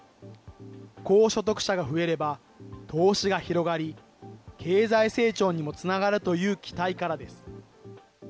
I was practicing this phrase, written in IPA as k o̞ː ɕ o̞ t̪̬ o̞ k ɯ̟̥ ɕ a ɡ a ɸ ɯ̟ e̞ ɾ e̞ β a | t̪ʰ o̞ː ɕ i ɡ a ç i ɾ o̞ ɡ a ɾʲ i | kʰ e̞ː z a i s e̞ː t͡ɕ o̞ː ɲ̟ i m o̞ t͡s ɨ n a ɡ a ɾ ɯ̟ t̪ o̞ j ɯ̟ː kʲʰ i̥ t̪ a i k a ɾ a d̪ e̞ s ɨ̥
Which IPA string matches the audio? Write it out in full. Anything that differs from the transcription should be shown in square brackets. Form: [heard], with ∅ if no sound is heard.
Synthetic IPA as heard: k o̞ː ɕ o̞ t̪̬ o̞ k ɯ̟̥ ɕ a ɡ a ɸ ɯ̟ e̞ ɾ e̞ [b] a | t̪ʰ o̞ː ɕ i ɡ a ç i ɾ o̞ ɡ a ɾʲ i | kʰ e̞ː z a i s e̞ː t͡ɕ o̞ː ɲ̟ i m o̞ t͡s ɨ n a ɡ a ɾ ɯ̟ t̪ o̞ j ɯ̟ː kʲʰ i̥ t̪ a i k a ɾ a d̪ e̞ s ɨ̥